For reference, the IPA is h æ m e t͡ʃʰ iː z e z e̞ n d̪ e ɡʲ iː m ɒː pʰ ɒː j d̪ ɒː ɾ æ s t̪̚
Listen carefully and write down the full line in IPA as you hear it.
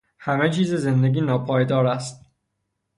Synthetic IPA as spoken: h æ m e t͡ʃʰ iː z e z e̞ n d̪ e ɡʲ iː n ɒː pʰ ɒː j d̪ ɒː ɾ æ s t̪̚